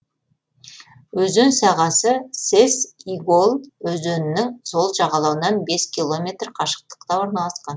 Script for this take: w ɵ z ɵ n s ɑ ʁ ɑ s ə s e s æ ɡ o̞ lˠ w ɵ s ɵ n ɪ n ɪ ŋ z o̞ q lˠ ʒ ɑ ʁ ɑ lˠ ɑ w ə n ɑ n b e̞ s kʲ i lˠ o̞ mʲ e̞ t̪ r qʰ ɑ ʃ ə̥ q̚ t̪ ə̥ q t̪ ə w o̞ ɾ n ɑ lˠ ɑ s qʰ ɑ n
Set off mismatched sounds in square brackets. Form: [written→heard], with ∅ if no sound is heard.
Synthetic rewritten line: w ɵ z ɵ n s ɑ ʁ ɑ s ə s e s [æ→i] ɡ o̞ lˠ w ɵ [s→z] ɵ n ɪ n ɪ ŋ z o̞ [q→∅] lˠ ʒ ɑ ʁ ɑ lˠ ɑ w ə n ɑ n b e̞ s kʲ i lˠ o̞ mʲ e̞ t̪ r qʰ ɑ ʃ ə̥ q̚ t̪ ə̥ q t̪ [ə→ɑ] w o̞ ɾ n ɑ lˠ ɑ s [qʰ→q] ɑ n